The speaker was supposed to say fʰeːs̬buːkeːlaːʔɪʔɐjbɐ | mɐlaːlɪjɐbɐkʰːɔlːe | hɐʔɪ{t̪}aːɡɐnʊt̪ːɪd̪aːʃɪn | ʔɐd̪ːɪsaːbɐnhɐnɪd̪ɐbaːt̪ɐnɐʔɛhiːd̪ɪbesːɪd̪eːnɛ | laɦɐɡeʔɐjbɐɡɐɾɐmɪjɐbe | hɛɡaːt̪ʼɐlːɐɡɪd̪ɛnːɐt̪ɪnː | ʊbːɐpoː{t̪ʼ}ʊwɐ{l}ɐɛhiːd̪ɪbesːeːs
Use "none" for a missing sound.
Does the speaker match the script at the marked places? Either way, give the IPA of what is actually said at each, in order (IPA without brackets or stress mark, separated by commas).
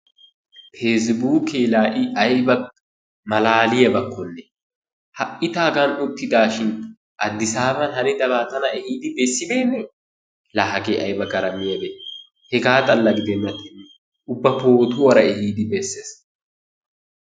t̪, t̪, ɾ